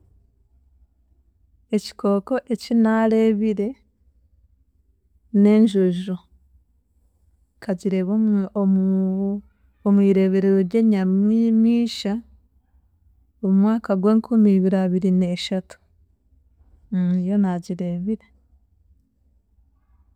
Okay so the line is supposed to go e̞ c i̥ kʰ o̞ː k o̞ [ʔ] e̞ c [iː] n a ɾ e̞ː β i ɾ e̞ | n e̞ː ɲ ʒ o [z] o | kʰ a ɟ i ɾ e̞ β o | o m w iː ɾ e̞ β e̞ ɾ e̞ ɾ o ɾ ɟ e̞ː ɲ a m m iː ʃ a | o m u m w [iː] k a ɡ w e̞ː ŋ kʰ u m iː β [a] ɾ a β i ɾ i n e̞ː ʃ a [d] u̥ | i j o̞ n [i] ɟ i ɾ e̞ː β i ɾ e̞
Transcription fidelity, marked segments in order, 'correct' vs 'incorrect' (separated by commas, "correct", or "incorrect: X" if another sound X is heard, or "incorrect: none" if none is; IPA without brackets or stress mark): correct, incorrect: i, incorrect: ʒ, incorrect: aː, incorrect: i, incorrect: t, incorrect: a